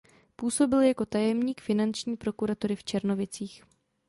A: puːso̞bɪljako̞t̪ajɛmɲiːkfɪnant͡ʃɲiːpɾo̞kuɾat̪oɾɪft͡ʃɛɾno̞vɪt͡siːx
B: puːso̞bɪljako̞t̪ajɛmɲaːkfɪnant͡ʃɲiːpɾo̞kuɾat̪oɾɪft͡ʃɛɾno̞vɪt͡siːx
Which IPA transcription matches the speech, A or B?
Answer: A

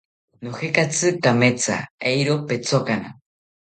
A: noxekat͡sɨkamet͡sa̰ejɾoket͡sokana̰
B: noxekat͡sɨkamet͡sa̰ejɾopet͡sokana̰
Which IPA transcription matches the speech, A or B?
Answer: B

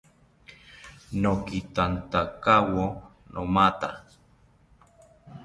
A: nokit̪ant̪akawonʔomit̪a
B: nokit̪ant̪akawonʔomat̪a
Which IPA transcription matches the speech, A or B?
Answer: B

